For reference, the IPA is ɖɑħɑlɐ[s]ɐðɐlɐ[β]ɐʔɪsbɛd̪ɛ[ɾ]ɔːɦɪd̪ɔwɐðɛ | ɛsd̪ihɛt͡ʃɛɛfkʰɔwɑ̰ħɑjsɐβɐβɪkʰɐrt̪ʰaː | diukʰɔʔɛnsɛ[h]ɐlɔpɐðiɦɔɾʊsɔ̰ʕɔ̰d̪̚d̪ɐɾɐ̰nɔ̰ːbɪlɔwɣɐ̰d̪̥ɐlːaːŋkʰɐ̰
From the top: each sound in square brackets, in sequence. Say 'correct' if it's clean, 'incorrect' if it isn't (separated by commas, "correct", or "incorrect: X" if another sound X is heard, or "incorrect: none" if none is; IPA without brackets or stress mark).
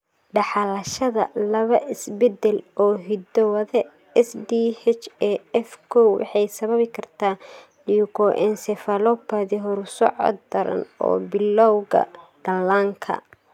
incorrect: ʃ, correct, incorrect: l, incorrect: f